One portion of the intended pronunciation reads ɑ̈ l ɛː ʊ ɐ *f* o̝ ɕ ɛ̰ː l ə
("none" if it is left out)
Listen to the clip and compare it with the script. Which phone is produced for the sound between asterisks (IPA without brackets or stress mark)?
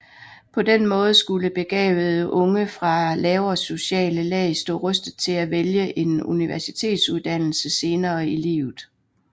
s